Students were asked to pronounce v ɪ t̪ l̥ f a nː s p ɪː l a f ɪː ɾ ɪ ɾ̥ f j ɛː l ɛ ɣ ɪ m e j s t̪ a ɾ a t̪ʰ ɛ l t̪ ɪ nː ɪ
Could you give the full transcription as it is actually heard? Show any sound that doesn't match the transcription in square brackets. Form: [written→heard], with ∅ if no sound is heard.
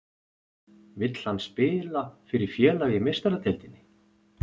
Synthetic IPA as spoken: v ɪ t̪ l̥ [f→h] a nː s p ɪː l a f [ɪː→ɪ] ɾ ɪ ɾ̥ f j ɛː l [ɛ→a] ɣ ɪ m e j s t̪ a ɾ a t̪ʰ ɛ l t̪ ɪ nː ɪ